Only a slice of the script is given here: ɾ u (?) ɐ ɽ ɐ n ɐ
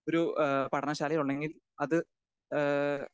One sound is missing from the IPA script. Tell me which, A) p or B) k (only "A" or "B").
A